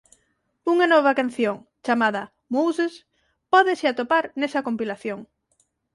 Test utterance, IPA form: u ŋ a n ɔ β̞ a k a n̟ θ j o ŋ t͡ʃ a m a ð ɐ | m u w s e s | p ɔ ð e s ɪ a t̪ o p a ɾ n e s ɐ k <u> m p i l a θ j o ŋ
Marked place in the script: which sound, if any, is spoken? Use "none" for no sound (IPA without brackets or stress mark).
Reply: o